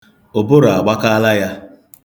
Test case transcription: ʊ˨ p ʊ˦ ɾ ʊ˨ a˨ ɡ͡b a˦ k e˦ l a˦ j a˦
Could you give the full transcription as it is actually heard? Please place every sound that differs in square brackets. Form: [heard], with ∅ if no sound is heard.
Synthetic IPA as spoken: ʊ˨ [b] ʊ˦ ɾ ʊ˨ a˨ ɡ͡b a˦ k [a˦] l a˦ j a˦